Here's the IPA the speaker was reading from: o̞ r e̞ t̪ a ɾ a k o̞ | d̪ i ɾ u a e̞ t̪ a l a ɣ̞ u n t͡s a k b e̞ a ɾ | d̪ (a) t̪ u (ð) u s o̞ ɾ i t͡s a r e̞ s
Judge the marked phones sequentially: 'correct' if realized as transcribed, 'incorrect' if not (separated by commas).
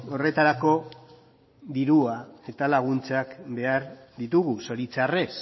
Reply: incorrect, incorrect